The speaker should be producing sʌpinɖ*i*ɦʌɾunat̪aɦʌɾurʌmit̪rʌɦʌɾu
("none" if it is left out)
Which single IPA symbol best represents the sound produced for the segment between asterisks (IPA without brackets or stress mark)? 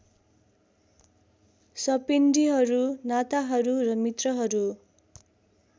i